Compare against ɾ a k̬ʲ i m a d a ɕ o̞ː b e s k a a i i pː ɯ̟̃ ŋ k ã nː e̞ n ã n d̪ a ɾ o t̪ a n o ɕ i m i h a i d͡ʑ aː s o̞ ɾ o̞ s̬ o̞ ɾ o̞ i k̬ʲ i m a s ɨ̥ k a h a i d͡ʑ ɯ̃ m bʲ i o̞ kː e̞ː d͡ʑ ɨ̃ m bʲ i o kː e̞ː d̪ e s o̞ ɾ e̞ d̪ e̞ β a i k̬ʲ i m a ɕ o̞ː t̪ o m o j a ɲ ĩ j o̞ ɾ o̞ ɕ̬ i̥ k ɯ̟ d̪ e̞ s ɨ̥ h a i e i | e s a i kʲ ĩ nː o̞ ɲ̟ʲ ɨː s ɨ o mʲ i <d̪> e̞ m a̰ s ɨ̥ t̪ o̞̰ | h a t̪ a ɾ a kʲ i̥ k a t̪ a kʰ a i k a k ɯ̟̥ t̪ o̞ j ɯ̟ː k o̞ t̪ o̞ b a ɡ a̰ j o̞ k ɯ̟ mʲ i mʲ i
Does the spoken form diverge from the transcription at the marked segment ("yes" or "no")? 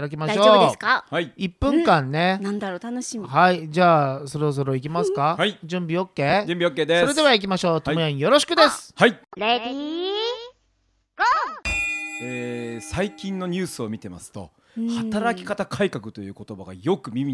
yes